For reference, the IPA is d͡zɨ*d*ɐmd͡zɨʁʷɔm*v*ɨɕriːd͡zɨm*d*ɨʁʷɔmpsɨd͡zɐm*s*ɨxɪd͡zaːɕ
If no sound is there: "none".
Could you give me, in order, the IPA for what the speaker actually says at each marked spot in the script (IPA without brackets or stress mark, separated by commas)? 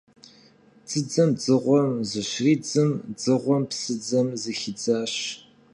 d͡z, z, d͡z, z